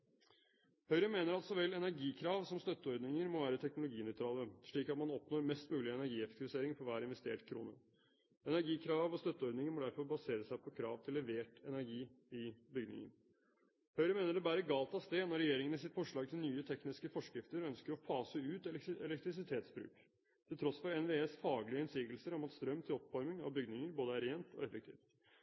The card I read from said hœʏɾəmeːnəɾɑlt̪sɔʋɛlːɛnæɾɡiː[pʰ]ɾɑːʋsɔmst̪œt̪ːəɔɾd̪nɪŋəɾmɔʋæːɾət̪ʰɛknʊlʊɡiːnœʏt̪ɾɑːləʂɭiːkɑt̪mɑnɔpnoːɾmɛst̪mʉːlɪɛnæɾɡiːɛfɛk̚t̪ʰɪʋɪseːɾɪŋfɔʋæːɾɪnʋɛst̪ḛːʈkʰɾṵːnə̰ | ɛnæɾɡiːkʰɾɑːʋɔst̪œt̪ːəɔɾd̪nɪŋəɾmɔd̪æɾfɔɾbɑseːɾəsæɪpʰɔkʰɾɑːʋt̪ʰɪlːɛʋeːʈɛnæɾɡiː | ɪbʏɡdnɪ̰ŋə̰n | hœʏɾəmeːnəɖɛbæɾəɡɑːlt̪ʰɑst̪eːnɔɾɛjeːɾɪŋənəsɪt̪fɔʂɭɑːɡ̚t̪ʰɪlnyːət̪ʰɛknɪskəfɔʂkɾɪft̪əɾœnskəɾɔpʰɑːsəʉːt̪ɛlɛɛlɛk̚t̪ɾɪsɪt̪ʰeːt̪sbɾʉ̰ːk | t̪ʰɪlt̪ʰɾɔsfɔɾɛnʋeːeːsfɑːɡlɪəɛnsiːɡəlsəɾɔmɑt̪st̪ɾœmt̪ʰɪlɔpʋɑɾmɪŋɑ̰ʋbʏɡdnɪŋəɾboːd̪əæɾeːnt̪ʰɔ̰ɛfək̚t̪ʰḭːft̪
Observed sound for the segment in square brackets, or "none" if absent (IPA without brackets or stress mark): kʰ